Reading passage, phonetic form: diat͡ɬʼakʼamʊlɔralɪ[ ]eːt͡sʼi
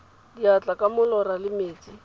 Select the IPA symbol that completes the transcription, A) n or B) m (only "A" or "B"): B